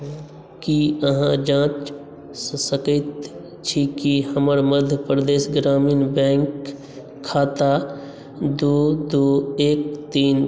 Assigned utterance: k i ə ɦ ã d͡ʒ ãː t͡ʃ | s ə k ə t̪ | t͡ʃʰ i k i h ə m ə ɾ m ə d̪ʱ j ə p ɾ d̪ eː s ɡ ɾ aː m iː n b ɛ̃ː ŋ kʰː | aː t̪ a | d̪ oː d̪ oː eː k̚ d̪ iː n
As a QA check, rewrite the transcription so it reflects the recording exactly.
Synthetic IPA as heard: k i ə ɦ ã d͡ʒ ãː t͡ʃ | s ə k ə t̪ | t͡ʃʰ i k i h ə m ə ɾ m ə d̪ʱ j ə p ɾ d̪ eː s ɡ ɾ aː m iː n b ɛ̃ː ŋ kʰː | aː t̪ a | d̪ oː d̪ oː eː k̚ t̪ iː n